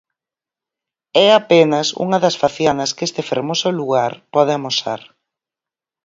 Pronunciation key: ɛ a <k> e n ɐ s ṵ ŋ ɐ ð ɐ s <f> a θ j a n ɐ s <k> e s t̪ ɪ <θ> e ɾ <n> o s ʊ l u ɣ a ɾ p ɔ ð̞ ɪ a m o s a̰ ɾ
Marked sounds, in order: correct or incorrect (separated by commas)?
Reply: incorrect, correct, correct, incorrect, incorrect